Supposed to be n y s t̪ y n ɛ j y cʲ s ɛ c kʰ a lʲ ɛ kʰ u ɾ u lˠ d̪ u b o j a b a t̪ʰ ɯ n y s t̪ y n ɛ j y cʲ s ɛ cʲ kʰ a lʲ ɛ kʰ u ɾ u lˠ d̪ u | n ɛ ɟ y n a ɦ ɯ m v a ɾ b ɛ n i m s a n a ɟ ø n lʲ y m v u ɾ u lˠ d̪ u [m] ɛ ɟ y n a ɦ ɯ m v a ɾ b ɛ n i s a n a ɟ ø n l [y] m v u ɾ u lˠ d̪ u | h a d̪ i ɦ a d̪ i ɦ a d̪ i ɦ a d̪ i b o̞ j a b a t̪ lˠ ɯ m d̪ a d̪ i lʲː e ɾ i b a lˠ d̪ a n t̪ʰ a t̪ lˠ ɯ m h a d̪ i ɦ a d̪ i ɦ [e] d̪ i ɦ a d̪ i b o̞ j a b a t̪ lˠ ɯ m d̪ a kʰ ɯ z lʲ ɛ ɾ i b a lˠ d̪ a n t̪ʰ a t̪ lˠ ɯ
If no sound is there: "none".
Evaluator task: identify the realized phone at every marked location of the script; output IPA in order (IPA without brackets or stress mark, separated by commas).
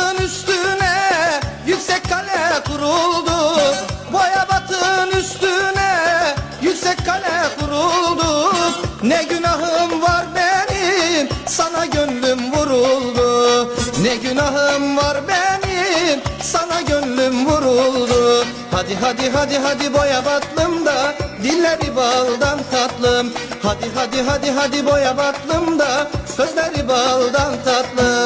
n, y, a